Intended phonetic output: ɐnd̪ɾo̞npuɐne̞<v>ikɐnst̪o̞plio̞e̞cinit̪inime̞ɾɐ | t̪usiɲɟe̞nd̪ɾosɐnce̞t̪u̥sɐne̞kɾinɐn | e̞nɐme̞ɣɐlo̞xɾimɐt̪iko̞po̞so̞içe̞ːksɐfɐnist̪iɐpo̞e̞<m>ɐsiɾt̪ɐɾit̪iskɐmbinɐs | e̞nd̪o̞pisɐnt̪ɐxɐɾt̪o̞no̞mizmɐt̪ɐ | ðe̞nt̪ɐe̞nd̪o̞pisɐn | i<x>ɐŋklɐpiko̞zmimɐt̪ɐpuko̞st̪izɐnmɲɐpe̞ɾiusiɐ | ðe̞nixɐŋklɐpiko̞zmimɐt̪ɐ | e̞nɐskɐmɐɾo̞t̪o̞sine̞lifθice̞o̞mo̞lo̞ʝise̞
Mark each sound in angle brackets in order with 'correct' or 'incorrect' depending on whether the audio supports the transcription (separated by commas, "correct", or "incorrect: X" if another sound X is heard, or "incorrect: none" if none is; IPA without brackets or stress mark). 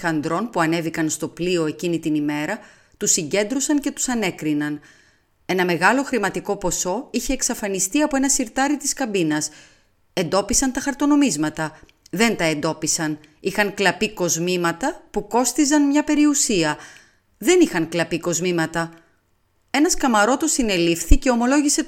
correct, incorrect: n, correct